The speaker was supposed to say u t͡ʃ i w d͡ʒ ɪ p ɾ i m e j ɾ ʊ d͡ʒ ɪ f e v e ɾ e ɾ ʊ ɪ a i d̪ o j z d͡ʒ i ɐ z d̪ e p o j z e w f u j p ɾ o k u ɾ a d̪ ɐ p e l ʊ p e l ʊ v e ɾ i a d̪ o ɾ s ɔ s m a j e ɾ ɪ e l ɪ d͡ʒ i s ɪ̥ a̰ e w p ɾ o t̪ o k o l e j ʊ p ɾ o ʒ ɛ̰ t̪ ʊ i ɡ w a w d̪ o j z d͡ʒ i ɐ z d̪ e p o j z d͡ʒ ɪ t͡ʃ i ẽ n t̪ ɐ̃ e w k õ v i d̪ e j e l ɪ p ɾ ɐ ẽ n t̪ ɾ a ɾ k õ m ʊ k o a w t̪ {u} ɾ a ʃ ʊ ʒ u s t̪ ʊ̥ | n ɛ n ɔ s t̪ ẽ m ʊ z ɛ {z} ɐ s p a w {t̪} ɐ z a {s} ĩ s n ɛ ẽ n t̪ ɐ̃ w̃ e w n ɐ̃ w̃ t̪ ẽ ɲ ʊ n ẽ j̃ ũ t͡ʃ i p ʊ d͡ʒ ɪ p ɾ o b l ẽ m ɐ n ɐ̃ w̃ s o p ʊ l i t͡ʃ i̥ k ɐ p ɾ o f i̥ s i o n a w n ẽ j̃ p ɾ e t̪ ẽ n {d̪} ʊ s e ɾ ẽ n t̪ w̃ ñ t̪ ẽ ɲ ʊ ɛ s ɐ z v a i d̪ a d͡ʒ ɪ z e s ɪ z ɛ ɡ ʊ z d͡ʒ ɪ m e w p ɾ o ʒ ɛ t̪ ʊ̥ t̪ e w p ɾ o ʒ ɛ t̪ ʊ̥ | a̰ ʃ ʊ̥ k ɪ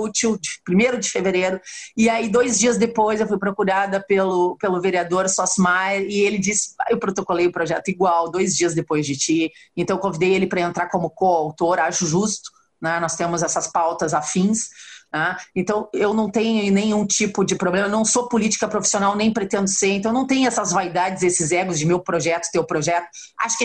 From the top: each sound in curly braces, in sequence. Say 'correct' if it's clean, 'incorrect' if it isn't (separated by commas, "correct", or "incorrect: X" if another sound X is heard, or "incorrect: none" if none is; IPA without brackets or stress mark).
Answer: incorrect: o, incorrect: s, correct, incorrect: f, correct